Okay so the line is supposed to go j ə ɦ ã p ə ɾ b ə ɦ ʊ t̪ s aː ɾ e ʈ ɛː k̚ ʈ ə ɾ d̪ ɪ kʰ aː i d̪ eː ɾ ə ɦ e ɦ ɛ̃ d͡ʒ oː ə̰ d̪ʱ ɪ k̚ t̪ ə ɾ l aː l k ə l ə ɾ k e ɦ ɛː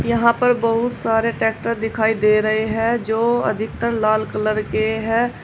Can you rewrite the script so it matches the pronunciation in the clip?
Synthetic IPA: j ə ɦ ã p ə ɾ b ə ɦ ʊ t̪ s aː ɾ e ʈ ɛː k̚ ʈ ə ɾ d̪ ɪ kʰ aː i d̪ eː ɾ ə ɦ e ɦ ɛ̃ d͡ʒ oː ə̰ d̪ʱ ɪ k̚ t̪ ə ɾ l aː l k ə l ə ɾ k e ɦ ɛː